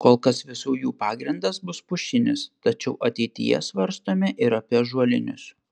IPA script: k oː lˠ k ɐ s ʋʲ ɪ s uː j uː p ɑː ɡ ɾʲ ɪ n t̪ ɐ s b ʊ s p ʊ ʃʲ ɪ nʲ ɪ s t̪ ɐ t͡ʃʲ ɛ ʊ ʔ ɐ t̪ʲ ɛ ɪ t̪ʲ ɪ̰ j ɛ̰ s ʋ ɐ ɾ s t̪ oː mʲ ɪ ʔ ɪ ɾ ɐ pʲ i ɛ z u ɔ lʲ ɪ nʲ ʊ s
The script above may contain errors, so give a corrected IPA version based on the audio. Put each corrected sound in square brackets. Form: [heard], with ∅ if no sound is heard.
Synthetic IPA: k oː lˠ k ɐ s ʋʲ ɪ s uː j uː p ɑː ɡ ɾʲ ɪ n [d̪] ɐ s b ʊ s p ʊ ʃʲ ɪ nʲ ɪ s t̪ ɐ t͡ʃʲ ɛ ʊ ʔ ɐ t̪ʲ ɛ ɪ t̪ʲ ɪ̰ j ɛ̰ s ʋ ɐ ɾ s t̪ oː mʲ ɪ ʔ ɪ ɾ ɐ pʲ i ɛ [ʒ] u ɔ lʲ ɪ nʲ ʊ s